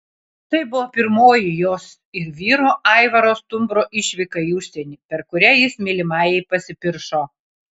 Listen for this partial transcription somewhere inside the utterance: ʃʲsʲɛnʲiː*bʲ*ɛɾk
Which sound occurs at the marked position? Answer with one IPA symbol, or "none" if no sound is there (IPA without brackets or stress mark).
pʲ